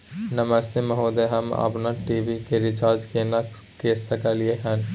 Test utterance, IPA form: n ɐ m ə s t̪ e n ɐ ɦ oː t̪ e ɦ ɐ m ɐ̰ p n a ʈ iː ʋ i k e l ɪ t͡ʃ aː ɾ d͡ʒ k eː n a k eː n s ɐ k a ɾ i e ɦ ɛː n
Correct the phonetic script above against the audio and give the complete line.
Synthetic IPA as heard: n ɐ m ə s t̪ e m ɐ ɦ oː d̪ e ɦ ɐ m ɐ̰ p n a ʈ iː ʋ i k e ɾ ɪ t͡ʃ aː ɾ d͡ʒ k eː n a k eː s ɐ k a l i e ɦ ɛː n